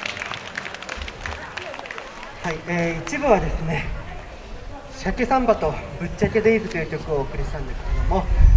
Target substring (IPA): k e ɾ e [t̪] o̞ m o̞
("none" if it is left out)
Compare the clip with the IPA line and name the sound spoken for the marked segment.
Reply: d̪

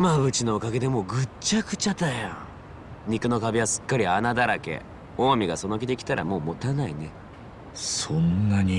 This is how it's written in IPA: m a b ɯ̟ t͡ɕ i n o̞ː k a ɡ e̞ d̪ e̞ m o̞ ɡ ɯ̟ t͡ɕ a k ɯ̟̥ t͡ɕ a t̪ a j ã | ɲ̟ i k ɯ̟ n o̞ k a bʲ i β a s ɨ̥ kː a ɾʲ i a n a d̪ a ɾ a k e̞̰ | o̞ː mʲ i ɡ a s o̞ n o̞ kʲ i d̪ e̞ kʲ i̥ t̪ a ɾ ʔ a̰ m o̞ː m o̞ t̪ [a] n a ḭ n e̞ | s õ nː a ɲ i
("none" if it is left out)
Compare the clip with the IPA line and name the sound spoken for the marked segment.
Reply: a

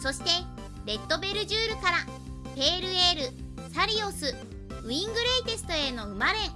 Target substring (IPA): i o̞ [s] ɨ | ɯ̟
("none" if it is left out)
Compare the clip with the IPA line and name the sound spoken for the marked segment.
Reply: s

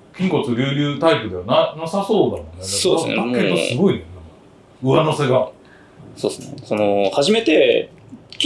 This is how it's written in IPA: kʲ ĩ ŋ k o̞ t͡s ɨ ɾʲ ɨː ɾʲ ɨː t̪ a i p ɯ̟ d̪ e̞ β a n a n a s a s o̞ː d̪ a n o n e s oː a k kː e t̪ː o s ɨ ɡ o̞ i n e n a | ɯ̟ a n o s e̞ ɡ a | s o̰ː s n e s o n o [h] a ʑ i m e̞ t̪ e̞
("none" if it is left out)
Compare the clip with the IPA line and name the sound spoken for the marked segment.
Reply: h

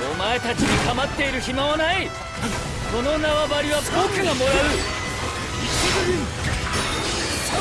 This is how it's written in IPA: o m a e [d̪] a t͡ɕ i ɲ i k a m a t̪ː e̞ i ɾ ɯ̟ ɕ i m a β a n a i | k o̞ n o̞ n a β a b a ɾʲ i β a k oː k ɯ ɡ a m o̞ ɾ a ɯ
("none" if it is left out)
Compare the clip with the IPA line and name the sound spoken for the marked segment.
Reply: t̪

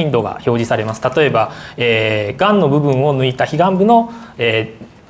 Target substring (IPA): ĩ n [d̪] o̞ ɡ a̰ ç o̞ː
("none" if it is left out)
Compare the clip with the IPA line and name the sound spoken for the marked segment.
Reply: d̪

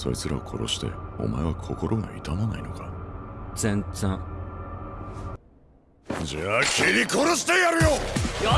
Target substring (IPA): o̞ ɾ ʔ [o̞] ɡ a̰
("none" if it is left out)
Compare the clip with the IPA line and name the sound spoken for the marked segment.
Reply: o̞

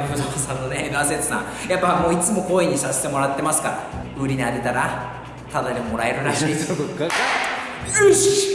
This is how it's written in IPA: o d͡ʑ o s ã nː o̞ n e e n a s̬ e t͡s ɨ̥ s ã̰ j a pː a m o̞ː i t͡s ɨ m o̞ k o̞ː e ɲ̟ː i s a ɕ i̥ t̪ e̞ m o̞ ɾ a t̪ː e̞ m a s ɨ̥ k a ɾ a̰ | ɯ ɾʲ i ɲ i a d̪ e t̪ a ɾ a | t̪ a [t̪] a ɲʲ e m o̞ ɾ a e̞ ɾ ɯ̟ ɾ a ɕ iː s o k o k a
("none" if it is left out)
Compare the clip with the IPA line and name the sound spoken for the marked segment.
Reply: d̪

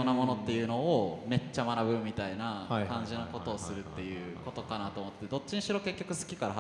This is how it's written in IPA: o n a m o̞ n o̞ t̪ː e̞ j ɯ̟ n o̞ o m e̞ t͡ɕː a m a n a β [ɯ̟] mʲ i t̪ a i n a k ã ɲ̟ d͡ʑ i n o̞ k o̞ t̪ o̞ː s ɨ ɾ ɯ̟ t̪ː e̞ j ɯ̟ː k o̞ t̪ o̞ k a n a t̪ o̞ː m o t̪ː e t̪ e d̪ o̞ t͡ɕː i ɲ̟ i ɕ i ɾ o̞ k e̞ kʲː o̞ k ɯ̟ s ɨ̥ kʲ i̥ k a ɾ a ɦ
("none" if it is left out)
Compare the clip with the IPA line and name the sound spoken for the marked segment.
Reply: ɯ̟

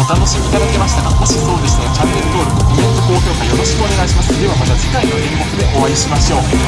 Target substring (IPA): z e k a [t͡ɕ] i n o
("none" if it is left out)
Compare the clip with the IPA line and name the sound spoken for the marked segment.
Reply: none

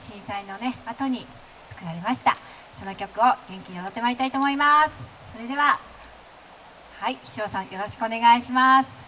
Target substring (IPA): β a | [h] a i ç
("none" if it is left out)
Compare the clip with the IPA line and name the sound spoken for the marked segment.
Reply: h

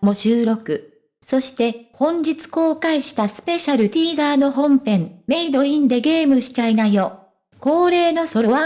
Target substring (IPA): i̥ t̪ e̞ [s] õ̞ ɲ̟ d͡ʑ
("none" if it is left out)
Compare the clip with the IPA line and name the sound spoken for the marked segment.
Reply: h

